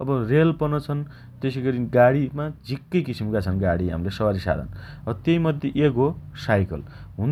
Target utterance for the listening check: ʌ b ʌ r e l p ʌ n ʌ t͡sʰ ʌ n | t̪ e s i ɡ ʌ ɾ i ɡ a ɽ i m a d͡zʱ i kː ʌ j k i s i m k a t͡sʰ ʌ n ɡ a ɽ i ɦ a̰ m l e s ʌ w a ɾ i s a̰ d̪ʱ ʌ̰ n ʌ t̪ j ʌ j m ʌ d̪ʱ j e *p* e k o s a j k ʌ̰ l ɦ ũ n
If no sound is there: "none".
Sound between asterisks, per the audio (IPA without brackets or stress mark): ʔ